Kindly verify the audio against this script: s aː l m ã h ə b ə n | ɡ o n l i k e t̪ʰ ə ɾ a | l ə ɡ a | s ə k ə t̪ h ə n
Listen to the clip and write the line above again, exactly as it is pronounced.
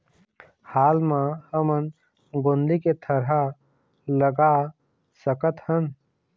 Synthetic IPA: h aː l m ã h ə m ə n | ɡ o n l i k e t̪ʰ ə ɾ a | l ə ɡ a | s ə k ə t̪ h ə n